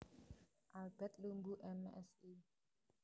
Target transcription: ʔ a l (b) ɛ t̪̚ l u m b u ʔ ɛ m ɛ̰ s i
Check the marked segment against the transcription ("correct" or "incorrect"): correct